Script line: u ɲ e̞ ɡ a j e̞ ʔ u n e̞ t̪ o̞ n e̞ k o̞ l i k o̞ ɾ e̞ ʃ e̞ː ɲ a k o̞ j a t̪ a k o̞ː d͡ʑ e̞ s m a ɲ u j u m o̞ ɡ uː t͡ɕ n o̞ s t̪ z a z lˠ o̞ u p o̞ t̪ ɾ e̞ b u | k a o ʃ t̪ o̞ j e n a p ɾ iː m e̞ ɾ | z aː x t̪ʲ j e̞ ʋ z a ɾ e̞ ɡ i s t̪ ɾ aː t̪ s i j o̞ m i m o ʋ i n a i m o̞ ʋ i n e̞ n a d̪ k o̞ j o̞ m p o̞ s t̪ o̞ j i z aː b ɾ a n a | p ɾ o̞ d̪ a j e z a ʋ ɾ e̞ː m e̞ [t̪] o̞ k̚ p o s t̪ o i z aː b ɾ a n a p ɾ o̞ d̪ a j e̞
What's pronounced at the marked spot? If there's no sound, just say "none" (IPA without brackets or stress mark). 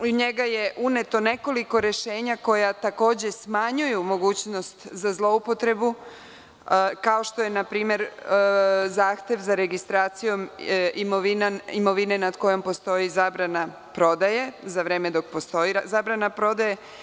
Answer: d̪